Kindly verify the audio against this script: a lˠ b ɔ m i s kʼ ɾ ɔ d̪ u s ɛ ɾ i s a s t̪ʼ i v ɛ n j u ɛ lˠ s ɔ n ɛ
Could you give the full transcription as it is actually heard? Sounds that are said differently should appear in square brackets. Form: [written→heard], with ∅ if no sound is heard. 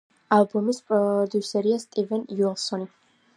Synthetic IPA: a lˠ b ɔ m i s [kʼ→pʼ] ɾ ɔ d̪ u s ɛ ɾ i [s→∅] a s t̪ʼ i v ɛ n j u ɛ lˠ s ɔ n [ɛ→i]